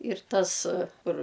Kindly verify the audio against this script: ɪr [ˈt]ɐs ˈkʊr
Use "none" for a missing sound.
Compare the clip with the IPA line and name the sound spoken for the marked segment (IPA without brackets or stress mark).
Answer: t